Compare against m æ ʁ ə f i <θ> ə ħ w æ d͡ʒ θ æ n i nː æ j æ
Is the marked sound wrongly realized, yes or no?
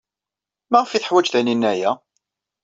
no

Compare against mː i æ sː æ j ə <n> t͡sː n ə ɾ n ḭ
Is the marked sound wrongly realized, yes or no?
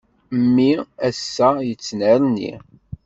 yes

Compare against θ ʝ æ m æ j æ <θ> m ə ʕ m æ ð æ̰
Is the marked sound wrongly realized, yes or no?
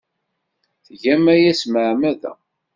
yes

